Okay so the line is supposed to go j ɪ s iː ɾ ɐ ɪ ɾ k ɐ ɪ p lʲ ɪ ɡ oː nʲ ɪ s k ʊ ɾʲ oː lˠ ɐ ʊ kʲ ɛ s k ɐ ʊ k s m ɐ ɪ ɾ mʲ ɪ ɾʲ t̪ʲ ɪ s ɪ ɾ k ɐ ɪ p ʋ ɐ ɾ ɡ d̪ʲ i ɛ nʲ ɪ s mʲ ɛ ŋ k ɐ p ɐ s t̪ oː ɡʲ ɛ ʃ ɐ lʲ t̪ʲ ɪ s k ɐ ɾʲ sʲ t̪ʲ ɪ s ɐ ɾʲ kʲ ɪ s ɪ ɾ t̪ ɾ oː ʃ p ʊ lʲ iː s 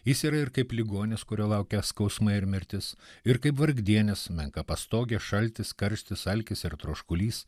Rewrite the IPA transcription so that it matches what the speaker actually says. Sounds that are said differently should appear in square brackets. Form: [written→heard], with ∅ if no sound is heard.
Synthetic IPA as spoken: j ɪ s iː ɾ ɐ ɪ ɾ k ɐ ɪ p lʲ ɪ ɡ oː nʲ ɪ s k ʊ ɾʲ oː lˠ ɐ ʊ kʲ ɛ s k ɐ ʊ [k→∅] s m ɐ ɪ ɾ mʲ ɪ ɾʲ t̪ʲ ɪ s ɪ ɾ k ɐ ɪ p ʋ ɐ ɾ ɡ d̪ʲ i ɛ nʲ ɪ s mʲ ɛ ŋ k ɐ p ɐ s t̪ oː ɡʲ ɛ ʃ ɐ lʲ t̪ʲ ɪ s k ɐ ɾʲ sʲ t̪ʲ ɪ s ɐ [ɾʲ→lʲ] kʲ ɪ s ɪ ɾ t̪ ɾ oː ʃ [p→k] ʊ lʲ iː s